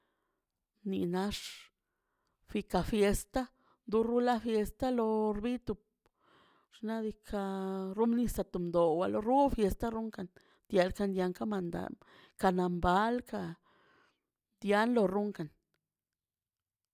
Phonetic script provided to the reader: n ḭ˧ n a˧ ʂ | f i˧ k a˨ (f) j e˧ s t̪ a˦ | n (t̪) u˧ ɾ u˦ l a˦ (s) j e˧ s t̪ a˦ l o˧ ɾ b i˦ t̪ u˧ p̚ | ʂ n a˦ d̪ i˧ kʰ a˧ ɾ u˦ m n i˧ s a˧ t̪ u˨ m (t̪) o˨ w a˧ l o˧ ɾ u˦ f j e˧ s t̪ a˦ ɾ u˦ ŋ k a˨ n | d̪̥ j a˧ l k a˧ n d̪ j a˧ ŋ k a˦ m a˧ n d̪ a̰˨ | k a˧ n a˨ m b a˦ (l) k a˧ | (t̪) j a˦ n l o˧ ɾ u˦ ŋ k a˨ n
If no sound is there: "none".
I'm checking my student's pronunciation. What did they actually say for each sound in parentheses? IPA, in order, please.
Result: f, d̪, f, d̪, l, d̪

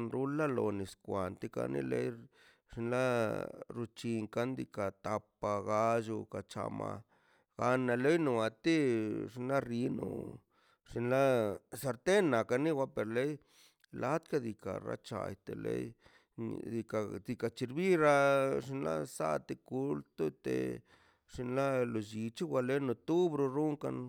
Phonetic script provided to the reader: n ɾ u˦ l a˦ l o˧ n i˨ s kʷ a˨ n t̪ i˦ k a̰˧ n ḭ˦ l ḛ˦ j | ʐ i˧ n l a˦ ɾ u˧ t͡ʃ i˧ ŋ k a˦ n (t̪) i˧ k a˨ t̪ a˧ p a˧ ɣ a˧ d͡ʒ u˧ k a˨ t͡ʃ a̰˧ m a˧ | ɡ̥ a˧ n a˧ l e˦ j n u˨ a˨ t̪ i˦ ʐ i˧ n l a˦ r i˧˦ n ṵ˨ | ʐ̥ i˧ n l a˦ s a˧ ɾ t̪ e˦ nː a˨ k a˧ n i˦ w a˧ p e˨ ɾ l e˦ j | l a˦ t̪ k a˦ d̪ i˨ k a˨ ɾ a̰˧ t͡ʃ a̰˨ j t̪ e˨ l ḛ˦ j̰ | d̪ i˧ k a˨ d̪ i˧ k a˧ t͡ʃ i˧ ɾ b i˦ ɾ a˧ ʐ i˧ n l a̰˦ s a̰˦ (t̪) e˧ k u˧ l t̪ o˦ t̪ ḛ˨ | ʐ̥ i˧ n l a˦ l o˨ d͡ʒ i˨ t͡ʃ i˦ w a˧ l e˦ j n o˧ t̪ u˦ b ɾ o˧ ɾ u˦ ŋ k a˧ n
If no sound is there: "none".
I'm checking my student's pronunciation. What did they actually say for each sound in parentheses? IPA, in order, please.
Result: d̪, t̪

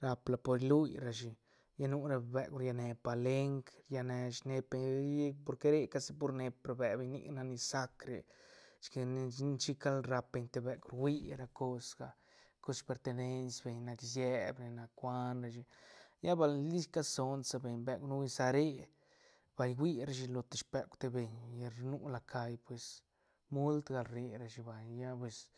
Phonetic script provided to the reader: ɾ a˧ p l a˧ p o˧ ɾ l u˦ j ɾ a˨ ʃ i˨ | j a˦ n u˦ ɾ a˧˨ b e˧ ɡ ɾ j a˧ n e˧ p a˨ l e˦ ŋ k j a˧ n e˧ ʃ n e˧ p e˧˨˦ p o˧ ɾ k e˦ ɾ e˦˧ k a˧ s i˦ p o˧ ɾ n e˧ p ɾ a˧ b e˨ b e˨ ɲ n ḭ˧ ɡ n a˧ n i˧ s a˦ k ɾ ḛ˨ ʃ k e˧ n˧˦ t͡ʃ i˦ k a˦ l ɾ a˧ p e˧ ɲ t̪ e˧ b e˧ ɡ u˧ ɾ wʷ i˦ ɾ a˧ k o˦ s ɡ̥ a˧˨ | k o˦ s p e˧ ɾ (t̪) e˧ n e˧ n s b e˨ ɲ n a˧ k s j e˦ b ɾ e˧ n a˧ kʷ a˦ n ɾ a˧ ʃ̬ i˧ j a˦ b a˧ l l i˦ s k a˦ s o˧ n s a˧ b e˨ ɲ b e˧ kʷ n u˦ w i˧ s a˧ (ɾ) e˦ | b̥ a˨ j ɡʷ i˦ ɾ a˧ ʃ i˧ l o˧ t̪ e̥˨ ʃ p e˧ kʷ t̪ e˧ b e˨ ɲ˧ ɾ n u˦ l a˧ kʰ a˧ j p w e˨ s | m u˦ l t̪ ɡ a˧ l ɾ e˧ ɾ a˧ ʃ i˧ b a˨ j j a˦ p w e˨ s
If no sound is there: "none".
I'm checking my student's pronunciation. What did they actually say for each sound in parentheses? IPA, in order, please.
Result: t̪, ɾ

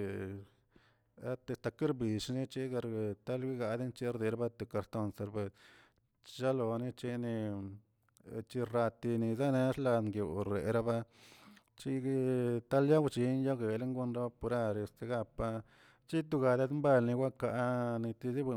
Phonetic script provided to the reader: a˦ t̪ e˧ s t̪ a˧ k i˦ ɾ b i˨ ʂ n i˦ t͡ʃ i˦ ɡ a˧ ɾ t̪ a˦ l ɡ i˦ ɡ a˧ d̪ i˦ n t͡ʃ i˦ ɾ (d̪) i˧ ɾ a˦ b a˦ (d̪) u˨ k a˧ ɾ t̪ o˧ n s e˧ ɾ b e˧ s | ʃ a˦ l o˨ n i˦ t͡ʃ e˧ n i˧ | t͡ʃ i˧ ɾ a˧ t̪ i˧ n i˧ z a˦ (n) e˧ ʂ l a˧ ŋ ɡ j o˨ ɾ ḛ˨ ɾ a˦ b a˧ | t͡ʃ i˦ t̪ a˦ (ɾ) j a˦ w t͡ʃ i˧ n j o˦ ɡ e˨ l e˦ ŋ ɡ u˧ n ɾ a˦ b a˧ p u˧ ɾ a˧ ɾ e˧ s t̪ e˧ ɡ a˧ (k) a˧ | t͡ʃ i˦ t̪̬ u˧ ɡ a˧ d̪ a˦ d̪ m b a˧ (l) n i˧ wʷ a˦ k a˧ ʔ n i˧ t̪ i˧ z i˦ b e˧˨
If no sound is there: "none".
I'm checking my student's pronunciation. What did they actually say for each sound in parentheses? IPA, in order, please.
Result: d̪, t̪, n, l, p, l

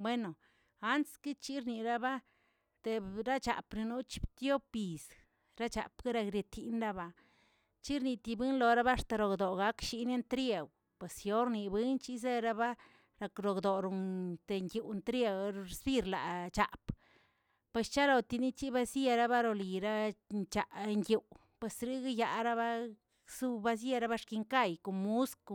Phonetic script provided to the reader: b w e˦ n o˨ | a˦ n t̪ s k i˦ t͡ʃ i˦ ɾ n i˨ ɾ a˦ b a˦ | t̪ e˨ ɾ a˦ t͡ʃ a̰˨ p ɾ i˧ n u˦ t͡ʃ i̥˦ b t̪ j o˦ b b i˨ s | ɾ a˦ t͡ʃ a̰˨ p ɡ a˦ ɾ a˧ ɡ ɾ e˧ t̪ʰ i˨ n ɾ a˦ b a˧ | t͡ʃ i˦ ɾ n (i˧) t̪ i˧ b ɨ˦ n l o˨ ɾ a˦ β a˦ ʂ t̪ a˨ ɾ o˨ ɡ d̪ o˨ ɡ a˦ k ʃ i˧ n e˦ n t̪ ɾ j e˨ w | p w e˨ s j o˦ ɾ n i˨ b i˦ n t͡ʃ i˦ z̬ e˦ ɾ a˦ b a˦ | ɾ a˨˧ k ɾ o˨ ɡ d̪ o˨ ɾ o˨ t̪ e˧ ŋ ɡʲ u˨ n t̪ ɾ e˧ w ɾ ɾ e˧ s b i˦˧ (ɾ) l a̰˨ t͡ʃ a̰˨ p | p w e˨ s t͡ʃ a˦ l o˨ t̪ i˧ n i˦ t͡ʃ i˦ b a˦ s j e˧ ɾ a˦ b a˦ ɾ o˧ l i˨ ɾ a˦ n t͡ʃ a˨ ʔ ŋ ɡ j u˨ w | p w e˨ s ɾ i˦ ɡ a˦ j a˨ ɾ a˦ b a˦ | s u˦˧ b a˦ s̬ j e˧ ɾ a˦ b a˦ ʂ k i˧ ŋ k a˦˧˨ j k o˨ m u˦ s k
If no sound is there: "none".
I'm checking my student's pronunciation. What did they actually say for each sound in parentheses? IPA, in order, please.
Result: i˧, ɾ

